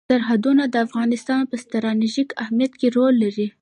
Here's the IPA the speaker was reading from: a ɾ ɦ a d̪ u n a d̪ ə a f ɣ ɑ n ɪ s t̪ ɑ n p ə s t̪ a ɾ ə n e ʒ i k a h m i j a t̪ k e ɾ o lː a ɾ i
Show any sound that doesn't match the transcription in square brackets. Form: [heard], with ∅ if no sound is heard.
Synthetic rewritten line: a ɾ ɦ a d̪ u n a d̪ ə a f ɣ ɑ n ɪ s t̪ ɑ n p ə s t̪ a ɾ [ɑ] n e ʒ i k a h m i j a t̪ k e ɾ o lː a ɾ i